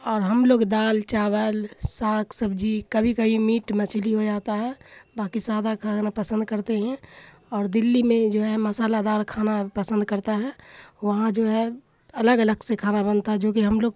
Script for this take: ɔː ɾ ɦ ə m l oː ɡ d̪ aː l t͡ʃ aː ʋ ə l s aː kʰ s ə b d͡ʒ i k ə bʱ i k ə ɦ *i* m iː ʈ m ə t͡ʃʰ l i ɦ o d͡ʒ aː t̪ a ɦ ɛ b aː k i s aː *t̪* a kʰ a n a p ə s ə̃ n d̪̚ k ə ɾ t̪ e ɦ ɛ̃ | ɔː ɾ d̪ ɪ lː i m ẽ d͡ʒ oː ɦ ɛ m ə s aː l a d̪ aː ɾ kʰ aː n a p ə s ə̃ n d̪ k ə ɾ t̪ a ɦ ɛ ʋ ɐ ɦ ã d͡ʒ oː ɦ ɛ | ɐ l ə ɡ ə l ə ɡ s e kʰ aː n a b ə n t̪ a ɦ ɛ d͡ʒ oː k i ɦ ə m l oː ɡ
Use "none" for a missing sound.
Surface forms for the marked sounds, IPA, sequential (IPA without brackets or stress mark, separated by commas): i, d̪